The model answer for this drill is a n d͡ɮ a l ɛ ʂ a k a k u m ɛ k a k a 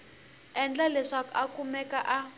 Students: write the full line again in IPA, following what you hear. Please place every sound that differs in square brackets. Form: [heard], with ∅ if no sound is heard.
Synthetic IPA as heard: [ɛ] n d͡ɮ a l ɛ ʂ a k a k u m ɛ k a [ʔ] a